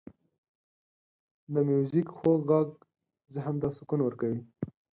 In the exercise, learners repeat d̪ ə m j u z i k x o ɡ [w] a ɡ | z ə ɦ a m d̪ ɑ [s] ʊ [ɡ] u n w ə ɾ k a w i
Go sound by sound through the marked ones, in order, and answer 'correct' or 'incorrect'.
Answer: incorrect: ɣ, correct, incorrect: k

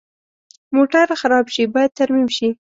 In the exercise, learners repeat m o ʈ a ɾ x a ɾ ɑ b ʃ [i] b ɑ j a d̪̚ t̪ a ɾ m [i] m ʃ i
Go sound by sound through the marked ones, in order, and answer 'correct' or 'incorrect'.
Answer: correct, correct

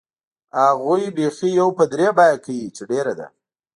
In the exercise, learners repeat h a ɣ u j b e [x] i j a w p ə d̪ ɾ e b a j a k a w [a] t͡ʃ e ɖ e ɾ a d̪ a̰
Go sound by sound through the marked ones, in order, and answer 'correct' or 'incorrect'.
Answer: correct, incorrect: i

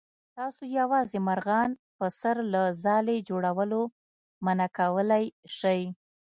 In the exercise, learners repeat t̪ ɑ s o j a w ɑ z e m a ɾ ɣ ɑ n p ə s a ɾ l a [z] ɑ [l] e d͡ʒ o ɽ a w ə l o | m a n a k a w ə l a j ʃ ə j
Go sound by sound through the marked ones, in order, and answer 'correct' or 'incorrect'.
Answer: correct, correct

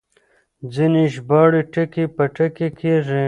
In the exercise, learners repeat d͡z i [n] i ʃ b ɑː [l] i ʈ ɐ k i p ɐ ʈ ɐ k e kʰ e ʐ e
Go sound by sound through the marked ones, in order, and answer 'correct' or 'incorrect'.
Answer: correct, incorrect: ɽ

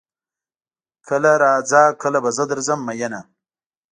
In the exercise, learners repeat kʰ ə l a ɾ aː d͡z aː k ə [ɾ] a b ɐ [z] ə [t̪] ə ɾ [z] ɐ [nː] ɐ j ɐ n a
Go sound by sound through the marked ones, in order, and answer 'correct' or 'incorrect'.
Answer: incorrect: l, correct, incorrect: d̪, correct, incorrect: mː

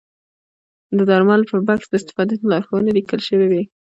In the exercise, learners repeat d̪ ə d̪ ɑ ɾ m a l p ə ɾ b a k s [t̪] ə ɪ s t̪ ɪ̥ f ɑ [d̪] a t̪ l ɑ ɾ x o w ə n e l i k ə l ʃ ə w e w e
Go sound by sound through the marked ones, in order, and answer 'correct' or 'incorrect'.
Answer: incorrect: d̪, correct

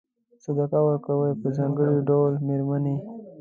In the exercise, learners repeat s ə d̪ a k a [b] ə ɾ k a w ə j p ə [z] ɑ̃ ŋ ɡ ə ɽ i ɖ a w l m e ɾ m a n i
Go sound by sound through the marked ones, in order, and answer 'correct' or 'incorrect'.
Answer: incorrect: w, correct

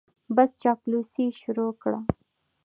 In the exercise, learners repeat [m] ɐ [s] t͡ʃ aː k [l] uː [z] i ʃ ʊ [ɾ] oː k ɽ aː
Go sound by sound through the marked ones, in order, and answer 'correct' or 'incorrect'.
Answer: incorrect: b, correct, correct, incorrect: s, correct

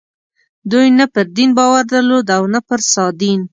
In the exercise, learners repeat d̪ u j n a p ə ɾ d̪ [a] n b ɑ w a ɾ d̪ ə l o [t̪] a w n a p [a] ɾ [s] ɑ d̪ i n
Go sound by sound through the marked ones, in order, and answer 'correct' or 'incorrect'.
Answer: incorrect: i, incorrect: d̪, incorrect: ə, correct

